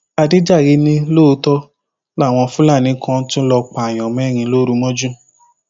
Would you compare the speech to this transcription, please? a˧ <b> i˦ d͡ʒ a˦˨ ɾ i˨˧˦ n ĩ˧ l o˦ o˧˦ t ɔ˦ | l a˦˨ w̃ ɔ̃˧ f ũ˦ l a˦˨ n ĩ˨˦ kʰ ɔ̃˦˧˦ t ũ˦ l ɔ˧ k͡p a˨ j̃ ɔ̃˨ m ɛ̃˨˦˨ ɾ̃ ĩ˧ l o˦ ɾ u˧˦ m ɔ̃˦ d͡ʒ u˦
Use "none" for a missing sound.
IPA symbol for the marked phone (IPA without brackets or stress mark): d